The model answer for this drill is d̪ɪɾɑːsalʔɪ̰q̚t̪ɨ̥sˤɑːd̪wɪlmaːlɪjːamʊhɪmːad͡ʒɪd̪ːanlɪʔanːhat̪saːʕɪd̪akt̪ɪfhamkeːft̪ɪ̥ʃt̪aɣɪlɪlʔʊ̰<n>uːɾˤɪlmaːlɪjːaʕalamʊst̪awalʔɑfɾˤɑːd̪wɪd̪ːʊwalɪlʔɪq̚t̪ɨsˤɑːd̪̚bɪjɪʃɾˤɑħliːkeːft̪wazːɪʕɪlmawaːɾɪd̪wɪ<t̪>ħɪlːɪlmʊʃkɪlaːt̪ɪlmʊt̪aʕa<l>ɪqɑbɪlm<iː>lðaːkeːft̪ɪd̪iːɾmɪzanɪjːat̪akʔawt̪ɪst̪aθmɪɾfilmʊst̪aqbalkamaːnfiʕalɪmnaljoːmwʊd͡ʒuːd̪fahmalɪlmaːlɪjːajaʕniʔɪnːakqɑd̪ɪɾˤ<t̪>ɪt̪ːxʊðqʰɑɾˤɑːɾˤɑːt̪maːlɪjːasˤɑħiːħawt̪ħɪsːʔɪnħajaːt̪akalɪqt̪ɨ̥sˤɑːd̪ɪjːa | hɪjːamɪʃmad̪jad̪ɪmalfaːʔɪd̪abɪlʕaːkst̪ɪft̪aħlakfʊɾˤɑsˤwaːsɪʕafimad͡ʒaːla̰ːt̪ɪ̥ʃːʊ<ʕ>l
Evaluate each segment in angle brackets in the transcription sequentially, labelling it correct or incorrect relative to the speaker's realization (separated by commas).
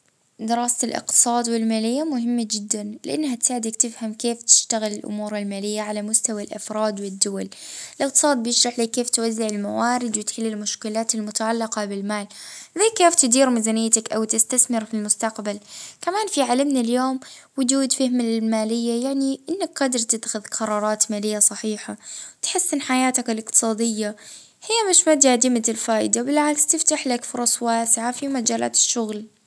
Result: incorrect, correct, incorrect, incorrect, correct, incorrect